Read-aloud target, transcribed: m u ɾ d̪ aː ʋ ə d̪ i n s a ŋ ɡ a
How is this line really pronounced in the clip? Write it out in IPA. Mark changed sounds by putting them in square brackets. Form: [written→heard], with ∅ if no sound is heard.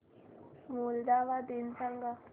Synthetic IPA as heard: m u [ɾ→l] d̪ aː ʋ [ə→a] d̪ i n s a ŋ ɡ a